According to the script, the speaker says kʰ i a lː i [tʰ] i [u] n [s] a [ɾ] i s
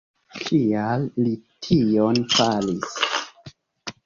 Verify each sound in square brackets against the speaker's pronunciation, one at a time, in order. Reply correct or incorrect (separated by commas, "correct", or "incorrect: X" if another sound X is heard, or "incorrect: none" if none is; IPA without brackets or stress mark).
correct, incorrect: o, incorrect: f, incorrect: l